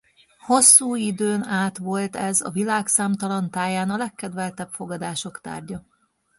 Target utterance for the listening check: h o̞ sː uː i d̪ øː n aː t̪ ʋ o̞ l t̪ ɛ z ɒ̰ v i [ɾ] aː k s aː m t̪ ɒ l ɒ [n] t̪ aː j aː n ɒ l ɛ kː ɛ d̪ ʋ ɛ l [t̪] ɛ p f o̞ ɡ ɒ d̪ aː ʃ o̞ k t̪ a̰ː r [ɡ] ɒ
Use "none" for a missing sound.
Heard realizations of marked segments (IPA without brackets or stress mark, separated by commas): l, n, t̪, ɟ